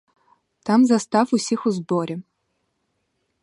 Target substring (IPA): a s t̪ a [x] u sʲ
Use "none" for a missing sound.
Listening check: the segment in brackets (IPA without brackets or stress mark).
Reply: f